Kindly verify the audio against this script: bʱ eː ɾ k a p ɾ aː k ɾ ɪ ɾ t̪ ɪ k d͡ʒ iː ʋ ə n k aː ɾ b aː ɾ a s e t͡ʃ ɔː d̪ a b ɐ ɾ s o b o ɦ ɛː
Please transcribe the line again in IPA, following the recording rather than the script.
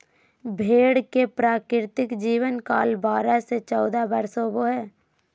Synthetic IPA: bʱ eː ɽ k e p ɾ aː k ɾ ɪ ɾ t̪ ɪ k d͡ʒ iː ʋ ə n k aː l b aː ɾ a s e t͡ʃ ɔː d̪ a b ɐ ɾ s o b o ɦ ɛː